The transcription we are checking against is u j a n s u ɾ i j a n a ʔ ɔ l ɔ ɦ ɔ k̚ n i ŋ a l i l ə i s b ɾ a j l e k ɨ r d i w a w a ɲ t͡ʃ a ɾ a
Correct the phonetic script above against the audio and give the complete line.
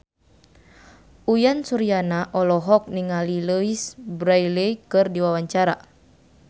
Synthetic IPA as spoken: u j a n s u ɾ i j a n a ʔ ɔ l ɔ ɦ ɔ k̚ n i ŋ a l i l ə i s b ɾ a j l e k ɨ r d i w a w a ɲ t͡ʃ a ɾ a